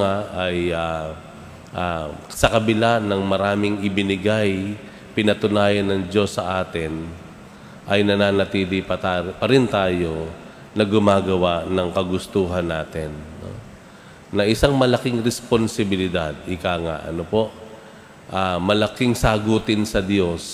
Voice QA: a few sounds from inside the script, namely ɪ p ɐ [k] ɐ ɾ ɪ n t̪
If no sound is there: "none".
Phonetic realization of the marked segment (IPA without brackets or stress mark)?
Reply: p